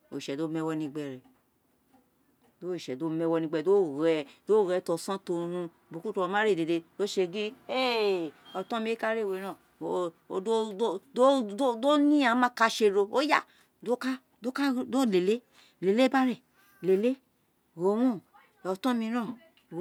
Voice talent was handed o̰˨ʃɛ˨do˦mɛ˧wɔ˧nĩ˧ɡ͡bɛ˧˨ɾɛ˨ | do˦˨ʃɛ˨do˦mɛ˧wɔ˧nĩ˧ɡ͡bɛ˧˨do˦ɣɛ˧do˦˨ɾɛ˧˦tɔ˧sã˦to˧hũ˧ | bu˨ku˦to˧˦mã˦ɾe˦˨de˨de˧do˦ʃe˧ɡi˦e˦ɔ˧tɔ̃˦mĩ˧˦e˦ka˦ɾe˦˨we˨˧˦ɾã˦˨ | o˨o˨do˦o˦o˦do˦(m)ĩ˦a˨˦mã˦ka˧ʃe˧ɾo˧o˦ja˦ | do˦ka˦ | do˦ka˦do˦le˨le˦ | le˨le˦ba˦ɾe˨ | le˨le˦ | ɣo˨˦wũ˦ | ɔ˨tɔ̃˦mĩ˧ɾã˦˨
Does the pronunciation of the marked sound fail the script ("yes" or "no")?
yes